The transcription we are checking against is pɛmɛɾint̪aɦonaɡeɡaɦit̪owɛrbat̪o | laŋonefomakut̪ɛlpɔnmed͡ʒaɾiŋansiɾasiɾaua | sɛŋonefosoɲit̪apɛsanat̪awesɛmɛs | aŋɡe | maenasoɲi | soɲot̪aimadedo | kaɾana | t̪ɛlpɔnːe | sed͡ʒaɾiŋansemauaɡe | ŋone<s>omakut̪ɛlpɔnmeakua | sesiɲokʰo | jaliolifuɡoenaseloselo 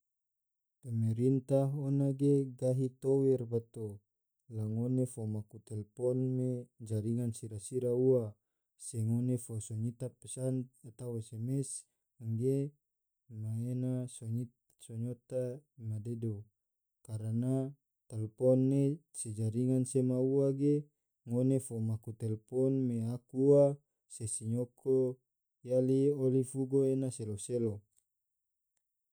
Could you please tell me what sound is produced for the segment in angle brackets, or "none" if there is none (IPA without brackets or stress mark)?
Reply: f